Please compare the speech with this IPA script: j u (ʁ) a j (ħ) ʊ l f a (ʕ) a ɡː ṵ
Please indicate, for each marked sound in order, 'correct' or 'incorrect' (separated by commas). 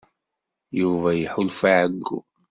incorrect, correct, correct